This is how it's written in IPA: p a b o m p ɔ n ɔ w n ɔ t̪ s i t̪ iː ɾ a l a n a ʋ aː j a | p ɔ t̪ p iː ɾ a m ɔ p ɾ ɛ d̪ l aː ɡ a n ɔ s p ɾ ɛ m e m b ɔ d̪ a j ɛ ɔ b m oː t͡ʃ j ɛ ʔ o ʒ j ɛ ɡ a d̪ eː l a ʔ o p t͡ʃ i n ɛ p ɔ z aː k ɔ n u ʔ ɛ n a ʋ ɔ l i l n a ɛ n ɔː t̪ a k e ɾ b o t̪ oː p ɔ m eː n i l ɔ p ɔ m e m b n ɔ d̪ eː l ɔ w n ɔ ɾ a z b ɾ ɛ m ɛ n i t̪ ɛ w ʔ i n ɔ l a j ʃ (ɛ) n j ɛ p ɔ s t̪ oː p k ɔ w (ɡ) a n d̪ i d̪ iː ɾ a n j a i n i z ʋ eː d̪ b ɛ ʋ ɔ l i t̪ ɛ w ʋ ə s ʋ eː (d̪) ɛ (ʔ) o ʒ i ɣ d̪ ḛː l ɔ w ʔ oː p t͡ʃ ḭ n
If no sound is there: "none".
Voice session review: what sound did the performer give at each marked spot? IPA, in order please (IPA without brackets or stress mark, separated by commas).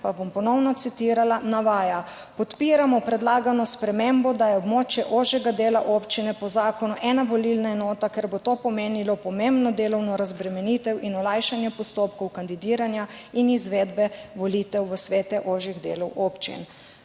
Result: a, k, t̪, ʔ